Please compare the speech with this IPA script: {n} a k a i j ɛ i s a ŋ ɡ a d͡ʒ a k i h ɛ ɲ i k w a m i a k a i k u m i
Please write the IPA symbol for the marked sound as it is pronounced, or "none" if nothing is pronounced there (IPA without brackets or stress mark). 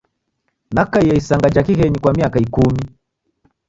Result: n